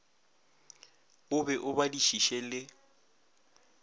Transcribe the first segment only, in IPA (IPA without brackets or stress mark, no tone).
ʊ